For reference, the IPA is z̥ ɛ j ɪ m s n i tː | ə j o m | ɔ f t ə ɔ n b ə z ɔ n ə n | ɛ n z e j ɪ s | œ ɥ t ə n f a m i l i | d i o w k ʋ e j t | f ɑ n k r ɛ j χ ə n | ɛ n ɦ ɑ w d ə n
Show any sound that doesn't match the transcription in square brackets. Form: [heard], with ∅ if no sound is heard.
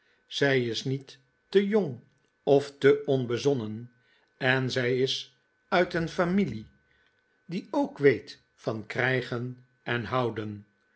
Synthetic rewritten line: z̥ ɛ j ɪ [∅] s n i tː | ə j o [ŋ] | ɔ f t ə ɔ n b ə z ɔ n ə n | ɛ n z [ɛ] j ɪ s | œ ɥ t ə n f a m i l i | d i o w k ʋ e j t | f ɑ n k r ɛ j χ ə n | ɛ n ɦ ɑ w d ə n